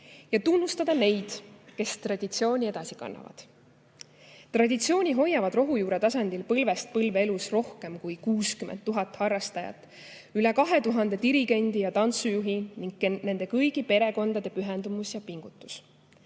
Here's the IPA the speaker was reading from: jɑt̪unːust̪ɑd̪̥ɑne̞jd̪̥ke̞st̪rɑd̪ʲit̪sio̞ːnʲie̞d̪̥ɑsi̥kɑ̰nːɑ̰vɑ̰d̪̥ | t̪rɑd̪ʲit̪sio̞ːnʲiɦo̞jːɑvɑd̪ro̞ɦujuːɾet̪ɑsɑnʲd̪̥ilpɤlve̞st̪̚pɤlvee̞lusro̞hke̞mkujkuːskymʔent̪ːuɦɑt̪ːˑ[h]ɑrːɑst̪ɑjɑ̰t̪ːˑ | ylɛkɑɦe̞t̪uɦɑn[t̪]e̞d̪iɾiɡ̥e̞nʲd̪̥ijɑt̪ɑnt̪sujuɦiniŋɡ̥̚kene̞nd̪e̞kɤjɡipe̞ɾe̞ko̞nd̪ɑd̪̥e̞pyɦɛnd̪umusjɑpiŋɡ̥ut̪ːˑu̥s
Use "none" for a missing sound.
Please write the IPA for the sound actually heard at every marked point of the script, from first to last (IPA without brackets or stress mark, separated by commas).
h, d̪